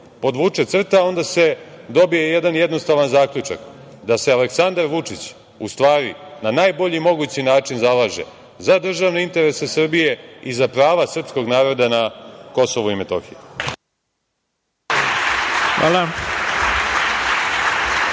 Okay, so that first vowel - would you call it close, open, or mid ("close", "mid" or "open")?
mid